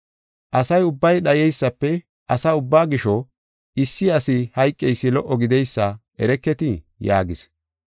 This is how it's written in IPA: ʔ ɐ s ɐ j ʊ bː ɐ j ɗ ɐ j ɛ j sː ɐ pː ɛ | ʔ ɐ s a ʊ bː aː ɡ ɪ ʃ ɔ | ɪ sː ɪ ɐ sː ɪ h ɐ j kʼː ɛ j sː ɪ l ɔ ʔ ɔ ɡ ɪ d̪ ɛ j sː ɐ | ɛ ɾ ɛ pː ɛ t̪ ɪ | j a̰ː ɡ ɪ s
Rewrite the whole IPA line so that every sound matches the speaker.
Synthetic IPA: ʔ ɐ s ɐ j ʊ bː ɐ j ɗ ɐ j ɛ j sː ɐ pː ɛ | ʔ ɐ s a ʊ bː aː ɡ ɪ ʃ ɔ | ɪ sː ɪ ɐ s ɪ h ɐ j kʼː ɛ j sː ɪ l ɔ ʔ ɔ ɡ ɪ d̪ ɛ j sː ɐ | ɛ ɾ ɛ kː ɛ t̪ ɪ | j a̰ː ɡ ɪ s